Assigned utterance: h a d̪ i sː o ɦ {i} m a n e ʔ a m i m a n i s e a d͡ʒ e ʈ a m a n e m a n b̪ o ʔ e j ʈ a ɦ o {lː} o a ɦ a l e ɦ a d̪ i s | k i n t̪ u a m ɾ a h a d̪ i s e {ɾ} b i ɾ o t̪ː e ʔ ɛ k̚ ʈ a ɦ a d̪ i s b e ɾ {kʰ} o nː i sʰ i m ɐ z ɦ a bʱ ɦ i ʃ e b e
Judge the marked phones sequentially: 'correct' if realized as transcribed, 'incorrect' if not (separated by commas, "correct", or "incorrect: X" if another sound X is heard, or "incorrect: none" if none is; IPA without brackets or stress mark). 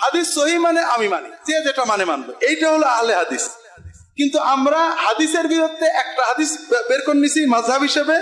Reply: correct, incorrect: l, correct, incorrect: k